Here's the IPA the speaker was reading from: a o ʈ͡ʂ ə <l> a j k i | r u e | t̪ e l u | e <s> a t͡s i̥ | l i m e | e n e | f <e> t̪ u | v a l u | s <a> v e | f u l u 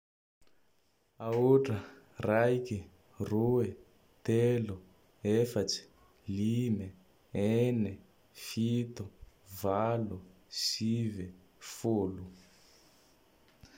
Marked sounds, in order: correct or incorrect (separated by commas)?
incorrect, incorrect, incorrect, incorrect